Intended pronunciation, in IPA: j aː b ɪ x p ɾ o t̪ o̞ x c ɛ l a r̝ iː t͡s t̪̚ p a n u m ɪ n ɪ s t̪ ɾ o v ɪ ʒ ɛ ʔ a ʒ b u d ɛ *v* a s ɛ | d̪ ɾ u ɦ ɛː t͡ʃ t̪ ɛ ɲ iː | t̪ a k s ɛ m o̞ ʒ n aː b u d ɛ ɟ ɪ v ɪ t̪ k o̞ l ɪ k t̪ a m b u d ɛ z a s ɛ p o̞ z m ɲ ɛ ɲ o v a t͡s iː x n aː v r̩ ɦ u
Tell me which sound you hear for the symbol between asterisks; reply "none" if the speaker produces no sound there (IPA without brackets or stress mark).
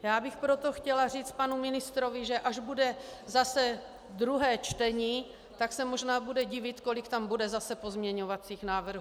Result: z